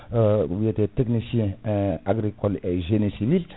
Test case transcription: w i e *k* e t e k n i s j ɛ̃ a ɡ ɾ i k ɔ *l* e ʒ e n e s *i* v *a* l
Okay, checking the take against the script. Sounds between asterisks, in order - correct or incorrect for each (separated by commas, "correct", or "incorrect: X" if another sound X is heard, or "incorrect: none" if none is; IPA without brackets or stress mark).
incorrect: t, correct, correct, incorrect: i